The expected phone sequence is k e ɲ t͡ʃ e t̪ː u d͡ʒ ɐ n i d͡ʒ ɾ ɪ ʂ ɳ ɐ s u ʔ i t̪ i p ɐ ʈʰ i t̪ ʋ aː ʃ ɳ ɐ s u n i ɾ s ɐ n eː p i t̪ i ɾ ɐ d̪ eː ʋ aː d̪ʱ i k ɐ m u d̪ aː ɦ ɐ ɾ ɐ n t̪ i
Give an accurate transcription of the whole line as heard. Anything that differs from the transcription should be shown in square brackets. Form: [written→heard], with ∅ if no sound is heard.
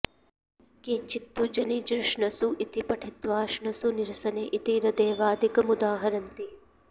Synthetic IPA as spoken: k e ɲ t͡ʃ [e→i] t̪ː u d͡ʒ ɐ n i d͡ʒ ɾ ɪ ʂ ɳ ɐ s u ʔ i t̪ i p ɐ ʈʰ i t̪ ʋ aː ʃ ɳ ɐ s u n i ɾ s ɐ n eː [p→ʔ] i t̪ i ɾ ɐ d̪ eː ʋ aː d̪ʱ i k ɐ m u d̪ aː ɦ ɐ ɾ ɐ n t̪ i